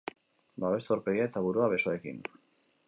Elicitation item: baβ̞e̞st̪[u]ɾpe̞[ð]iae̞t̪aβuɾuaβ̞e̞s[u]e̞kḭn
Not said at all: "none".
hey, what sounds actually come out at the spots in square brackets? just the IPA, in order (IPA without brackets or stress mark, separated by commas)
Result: o, ɣ, o